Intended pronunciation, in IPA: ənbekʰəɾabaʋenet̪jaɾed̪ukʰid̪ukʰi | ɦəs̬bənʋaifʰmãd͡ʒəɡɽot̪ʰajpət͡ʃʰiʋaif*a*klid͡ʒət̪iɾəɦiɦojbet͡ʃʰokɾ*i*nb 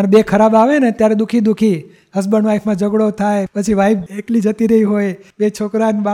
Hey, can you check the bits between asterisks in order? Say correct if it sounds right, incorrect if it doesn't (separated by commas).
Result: incorrect, incorrect